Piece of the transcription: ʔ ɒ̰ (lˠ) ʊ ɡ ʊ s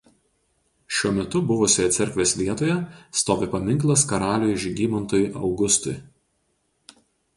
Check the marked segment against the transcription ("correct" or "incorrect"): incorrect